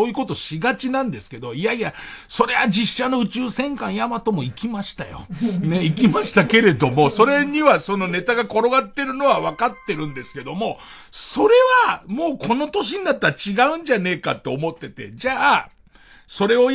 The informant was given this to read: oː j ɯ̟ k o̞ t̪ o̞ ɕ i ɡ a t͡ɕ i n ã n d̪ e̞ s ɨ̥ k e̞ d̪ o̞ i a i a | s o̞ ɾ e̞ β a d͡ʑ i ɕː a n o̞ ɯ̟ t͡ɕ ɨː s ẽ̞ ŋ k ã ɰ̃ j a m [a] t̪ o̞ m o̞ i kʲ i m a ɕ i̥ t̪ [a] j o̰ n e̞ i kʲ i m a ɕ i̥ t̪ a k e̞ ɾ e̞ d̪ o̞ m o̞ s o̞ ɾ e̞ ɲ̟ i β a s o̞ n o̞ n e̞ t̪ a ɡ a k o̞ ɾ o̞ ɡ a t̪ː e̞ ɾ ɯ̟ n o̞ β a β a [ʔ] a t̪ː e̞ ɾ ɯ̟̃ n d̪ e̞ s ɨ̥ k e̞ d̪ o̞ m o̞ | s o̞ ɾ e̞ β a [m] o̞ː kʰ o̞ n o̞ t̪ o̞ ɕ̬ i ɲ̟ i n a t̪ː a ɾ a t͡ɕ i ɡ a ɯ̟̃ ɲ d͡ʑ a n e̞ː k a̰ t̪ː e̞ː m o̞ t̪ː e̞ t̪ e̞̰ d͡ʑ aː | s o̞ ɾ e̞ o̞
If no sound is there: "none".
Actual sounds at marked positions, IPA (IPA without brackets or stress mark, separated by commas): a, a, k, m